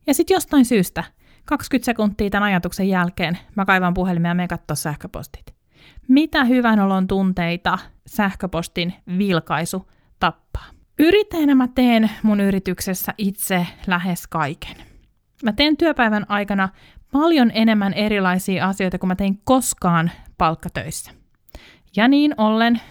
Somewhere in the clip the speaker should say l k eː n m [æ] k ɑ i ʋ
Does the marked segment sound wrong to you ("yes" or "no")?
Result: no